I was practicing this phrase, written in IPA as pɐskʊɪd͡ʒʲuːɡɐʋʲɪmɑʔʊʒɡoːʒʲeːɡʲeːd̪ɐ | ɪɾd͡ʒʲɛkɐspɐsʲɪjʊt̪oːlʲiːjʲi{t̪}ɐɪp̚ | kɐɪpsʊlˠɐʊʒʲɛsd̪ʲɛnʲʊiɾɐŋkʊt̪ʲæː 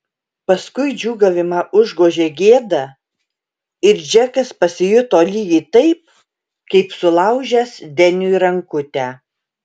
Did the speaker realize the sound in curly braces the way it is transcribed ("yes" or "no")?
yes